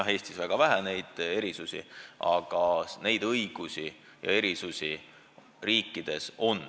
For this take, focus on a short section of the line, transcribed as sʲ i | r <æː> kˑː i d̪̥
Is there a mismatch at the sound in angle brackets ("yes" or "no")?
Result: yes